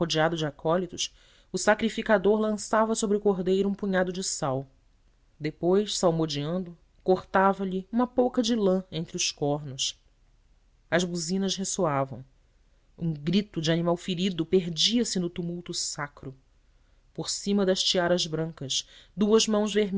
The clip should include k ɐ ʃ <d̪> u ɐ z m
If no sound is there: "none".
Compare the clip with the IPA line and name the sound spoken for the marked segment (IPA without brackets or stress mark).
d̪